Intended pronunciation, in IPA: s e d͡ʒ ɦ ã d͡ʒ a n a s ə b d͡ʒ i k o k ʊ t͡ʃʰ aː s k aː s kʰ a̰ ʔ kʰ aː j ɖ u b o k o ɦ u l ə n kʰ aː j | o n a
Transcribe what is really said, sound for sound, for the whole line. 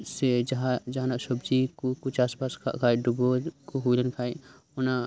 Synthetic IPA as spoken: s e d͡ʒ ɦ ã d͡ʒ a n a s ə b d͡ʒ i k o k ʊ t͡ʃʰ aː s p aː s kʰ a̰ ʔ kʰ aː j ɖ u b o k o ɦ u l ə n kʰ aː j | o n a

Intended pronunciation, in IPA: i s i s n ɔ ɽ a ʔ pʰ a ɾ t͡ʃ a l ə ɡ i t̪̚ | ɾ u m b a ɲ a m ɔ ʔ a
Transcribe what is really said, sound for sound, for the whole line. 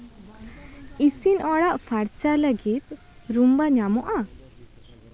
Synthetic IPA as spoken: i s i n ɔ ɽ a ʔ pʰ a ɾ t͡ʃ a l ə ɡ i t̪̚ | ɾ u m b a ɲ a m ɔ ʔ a

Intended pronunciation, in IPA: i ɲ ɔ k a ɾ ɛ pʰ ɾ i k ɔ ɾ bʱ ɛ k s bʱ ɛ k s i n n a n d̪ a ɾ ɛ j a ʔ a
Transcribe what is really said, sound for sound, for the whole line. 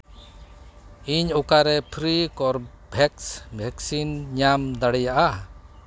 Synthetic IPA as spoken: i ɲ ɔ k a ɾ ɛ pʰ ɾ i k ɔ ɾ bʱ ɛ k s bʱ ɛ k s i n ɲ a m d̪ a ɽ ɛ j a ʔ a

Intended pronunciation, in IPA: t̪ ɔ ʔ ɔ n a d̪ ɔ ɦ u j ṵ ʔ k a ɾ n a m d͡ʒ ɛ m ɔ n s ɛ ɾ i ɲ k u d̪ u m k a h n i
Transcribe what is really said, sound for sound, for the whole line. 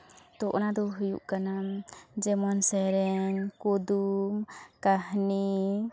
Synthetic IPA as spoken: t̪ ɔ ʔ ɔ n a d̪ ɔ ɦ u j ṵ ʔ k a n a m d͡ʒ ɛ m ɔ n s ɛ ɾ ɛ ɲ k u d̪ u m k a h n i

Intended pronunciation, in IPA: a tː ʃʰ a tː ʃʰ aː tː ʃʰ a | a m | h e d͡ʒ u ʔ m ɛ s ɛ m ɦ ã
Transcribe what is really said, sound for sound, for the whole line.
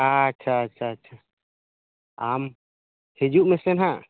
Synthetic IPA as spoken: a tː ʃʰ a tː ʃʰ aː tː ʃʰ a | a m | h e d͡ʒ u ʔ m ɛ s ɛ n ɦ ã

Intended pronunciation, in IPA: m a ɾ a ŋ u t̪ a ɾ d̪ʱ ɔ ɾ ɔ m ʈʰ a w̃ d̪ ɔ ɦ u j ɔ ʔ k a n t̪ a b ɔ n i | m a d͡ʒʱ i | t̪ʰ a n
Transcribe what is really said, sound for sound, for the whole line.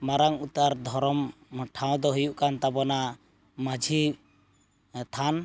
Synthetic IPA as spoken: m a ɾ a ŋ u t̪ a ɾ d̪ʱ ɔ ɾ ɔ m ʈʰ a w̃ d̪ ɔ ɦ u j u ʔ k a n t̪ a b ɔ n a | m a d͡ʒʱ i | t̪ʰ a n

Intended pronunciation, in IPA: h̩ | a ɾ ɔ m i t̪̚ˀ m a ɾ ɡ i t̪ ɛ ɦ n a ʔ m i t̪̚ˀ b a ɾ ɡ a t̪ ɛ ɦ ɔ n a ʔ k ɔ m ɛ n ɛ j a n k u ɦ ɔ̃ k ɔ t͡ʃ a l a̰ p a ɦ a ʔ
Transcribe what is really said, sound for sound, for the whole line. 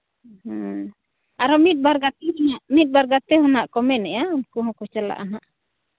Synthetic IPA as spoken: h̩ | a ɾ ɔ m i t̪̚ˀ b a ɾ ɡ a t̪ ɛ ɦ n a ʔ m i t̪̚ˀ b a ɾ ɡ a t̪ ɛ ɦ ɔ n a ʔ k ɔ m ɛ n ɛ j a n k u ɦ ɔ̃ k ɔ t͡ʃ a l a̰ ʔ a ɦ a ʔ

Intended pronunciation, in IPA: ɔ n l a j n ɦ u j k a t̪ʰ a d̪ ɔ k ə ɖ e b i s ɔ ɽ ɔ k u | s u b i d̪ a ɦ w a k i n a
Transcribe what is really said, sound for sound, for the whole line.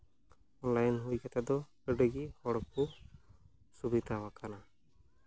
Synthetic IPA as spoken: ɔ n l a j n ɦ u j k a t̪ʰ a d̪ ɔ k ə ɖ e ɡ i h ɔ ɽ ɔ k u | s u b i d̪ a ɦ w a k a n a

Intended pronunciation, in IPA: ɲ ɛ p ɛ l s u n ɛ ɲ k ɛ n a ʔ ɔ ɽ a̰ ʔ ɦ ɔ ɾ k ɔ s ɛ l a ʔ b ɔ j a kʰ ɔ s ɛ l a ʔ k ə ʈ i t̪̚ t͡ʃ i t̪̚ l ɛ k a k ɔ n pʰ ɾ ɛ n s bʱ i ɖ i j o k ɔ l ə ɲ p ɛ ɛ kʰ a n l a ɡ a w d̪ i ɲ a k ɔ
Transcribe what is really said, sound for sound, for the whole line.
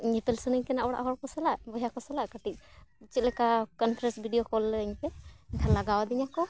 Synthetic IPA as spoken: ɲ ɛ p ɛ l s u n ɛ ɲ k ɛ n a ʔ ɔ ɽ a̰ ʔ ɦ ɔ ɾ k ɔ s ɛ l a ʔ b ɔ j a k ɔ s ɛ l a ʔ k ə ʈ i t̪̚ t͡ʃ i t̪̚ l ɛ k a k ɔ n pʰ ɾ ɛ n s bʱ i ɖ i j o k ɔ l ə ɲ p ɛ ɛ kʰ a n l a ɡ a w d̪ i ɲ a k ɔ

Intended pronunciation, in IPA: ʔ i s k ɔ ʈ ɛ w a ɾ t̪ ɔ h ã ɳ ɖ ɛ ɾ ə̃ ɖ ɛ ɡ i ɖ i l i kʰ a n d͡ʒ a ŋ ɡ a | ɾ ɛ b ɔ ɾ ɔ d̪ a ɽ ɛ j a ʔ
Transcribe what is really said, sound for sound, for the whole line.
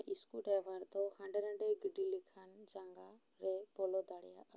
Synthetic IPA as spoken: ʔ i s k u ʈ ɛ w a ɾ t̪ ɔ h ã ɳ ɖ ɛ ɾ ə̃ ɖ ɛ ɡ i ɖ i l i kʰ a n d͡ʒ a ŋ ɡ a | ɾ ɛ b ɔ l ɔ d̪ a ɽ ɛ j a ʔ

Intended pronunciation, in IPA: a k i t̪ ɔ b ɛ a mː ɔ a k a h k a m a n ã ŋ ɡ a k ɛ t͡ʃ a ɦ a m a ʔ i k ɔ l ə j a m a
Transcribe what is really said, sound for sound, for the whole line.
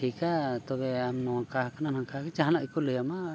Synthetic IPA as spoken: i k a t̪ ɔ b ɛ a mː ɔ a k a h k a n a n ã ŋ k a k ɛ t͡ʃ a ɦ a n a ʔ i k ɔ l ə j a m a

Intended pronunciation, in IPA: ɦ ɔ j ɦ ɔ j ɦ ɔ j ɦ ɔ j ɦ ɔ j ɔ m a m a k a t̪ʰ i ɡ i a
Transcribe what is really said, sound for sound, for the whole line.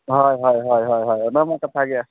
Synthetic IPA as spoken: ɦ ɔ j ɦ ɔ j ɦ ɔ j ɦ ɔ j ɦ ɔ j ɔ n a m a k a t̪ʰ a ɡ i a

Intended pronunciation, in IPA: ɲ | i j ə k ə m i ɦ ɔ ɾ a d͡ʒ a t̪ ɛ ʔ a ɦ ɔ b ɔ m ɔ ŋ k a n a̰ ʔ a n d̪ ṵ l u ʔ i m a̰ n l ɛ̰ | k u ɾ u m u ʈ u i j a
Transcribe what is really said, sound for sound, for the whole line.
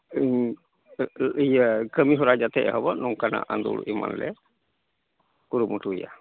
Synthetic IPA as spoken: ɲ | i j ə k ə m i ɦ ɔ ɾ a d͡ʒ a t̪ ɛ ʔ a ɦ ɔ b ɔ n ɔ ŋ k a n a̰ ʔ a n d̪ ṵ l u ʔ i m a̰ n l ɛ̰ | k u ɾ u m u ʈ u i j a

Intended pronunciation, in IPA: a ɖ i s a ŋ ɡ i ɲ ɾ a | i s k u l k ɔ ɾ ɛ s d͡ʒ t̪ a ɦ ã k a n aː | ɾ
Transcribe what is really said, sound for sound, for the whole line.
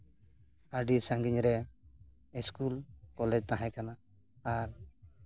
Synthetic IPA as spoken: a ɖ i s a ŋ ɡ i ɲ ɾ ɛ | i s k u l k ɔ l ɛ d͡ʒ t̪ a ɦ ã k a n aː | ɾ

